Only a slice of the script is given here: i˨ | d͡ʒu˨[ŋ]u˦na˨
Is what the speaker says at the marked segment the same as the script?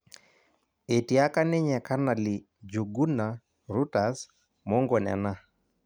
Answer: no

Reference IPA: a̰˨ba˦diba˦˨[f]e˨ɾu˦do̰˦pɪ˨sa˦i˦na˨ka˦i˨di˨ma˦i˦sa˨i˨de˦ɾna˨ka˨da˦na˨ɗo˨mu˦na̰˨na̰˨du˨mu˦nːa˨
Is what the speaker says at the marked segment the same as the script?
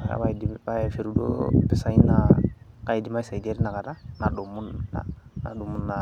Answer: yes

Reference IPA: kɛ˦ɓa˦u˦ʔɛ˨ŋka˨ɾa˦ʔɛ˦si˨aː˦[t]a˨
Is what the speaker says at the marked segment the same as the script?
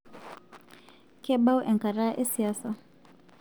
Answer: no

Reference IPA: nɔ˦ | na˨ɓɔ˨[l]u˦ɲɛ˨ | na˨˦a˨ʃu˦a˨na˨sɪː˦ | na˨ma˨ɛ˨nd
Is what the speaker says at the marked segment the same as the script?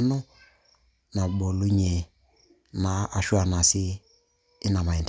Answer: yes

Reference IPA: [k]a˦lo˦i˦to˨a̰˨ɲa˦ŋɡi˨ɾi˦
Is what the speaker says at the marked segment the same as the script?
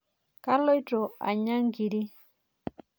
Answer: yes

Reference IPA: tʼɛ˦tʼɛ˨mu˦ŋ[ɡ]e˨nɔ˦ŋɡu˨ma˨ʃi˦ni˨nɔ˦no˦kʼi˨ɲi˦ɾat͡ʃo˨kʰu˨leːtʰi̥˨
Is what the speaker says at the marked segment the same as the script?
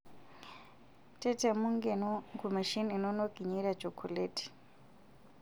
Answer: yes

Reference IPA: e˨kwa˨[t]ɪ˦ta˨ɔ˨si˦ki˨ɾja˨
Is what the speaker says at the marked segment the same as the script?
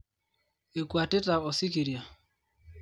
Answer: yes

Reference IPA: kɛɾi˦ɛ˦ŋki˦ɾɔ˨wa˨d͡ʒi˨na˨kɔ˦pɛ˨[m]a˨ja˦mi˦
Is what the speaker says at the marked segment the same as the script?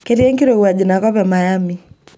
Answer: yes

